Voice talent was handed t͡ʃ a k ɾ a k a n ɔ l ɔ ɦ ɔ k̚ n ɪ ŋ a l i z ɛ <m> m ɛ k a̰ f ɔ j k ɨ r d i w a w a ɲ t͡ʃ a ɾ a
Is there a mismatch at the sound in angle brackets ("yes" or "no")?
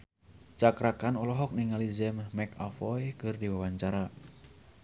no